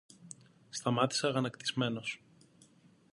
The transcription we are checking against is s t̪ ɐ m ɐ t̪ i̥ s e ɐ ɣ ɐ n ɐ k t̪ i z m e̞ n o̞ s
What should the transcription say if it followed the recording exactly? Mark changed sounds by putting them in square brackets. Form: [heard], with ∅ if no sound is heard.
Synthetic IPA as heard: s t̪ ɐ m ɐ t̪ i̥ s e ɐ ɣ ɐ n ɐ k t̪ i z m e̞ n o̞ s